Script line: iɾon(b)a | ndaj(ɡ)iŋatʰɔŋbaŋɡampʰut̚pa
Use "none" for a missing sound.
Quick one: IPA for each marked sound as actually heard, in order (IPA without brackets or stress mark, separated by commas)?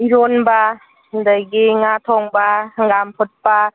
b, ɡ